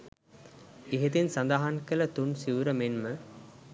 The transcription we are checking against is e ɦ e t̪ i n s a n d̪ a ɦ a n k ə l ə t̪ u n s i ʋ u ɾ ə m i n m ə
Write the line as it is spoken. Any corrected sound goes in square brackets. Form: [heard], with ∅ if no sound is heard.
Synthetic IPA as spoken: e ɦ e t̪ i n s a n d̪ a ɦ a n k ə l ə t̪ u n s i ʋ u ɾ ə m [e] n m ə